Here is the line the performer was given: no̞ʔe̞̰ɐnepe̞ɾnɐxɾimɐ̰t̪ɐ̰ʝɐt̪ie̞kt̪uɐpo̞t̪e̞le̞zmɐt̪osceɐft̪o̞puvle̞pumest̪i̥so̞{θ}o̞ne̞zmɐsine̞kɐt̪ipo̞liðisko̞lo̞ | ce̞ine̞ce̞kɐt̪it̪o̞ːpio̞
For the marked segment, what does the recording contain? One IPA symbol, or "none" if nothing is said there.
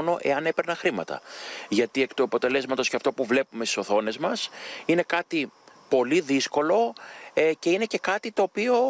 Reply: θ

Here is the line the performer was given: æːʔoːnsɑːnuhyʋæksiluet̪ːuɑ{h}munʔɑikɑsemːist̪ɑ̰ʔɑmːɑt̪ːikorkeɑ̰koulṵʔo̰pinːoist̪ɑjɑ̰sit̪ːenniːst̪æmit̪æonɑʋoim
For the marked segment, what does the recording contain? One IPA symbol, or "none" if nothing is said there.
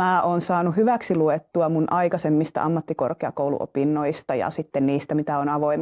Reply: none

